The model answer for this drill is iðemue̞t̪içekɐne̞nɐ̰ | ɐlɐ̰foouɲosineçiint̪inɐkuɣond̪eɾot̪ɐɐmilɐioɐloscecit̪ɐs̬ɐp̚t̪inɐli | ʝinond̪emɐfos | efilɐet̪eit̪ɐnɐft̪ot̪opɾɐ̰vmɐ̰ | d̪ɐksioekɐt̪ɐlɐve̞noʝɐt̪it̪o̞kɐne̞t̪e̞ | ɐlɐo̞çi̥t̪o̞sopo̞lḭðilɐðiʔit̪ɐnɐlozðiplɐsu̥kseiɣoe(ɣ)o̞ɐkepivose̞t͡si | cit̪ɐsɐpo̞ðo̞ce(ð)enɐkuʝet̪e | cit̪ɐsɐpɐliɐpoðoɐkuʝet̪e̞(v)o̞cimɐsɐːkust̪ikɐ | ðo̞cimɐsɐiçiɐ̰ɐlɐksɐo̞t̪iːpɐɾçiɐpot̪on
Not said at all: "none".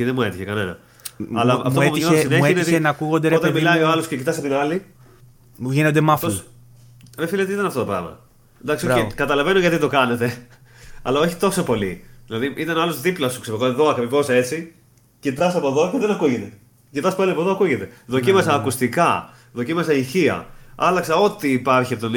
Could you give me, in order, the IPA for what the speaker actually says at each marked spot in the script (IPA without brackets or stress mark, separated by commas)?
ð, ð, ð